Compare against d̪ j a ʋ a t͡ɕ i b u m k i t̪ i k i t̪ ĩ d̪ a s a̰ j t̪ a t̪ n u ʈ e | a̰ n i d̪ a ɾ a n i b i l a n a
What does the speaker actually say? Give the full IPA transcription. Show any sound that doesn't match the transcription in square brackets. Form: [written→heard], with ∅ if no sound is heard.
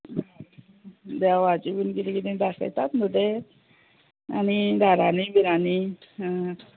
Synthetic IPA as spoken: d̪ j a ʋ a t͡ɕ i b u [m→n] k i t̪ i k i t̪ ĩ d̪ a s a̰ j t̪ a t̪ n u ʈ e | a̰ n i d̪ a ɾ a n i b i [l→ɾ] a n [a→i]